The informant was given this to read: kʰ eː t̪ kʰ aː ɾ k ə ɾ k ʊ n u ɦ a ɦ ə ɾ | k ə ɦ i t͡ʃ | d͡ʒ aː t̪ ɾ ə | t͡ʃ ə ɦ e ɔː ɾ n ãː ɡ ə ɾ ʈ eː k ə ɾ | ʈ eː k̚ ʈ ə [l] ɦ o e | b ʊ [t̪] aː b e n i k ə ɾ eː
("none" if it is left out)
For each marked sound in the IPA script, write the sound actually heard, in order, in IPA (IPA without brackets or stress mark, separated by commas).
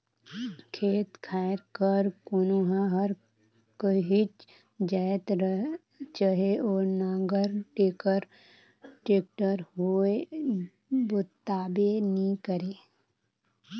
ɾ, t̪